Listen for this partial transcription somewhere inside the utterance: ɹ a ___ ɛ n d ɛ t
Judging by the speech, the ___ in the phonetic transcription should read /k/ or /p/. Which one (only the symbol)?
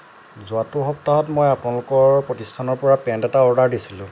p